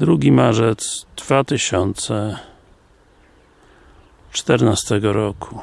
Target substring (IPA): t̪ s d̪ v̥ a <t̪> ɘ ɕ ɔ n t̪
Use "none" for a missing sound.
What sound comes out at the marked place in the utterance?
t̪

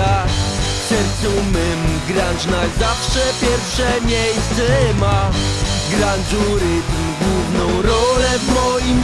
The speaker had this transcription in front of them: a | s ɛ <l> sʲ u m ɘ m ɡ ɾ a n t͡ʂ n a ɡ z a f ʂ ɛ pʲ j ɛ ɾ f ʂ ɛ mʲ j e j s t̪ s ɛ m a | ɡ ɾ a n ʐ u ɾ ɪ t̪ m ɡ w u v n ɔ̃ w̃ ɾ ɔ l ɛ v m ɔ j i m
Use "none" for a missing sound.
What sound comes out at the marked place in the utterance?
ɾ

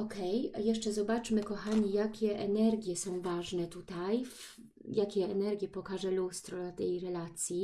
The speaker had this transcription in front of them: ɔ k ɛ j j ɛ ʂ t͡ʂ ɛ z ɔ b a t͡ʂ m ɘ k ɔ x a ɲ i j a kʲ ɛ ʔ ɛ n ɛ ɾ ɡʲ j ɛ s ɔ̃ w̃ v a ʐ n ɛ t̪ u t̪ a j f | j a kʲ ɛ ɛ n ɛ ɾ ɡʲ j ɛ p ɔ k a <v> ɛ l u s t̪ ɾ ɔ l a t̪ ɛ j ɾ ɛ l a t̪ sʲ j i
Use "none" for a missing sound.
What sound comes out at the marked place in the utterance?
ʐ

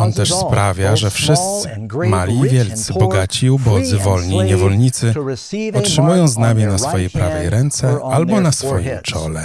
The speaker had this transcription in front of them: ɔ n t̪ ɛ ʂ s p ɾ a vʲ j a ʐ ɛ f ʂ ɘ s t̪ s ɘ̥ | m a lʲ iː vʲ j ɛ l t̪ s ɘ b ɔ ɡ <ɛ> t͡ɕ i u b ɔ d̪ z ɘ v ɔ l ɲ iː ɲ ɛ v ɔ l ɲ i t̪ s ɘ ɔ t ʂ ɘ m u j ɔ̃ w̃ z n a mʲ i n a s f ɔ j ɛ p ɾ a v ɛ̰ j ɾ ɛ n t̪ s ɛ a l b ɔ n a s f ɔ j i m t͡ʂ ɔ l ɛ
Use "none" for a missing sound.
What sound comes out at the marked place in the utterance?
a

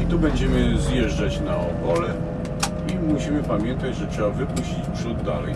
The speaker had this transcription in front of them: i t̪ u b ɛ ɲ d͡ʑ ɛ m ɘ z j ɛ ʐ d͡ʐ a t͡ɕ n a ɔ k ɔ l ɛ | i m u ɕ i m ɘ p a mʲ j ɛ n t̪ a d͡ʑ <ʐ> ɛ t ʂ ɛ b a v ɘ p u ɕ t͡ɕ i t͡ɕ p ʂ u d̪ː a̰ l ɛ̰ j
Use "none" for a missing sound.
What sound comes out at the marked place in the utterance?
ʐ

